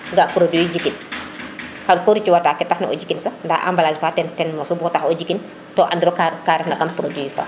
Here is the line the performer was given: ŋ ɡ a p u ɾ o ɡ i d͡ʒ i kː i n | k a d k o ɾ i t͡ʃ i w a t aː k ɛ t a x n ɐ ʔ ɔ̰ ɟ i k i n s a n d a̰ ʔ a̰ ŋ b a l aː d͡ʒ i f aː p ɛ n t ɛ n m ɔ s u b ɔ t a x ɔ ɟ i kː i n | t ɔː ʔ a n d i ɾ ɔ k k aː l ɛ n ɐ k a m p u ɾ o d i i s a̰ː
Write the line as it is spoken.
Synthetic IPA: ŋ ɡ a p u ɾ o d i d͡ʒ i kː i n | k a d k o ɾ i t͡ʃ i w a t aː k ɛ t a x n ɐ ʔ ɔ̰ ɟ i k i n s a n d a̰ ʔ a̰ m b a l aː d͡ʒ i f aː t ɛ n t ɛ n m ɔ s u b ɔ t a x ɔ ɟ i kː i n | t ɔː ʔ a n d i ɾ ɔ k k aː ɾ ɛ n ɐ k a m p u ɾ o d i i f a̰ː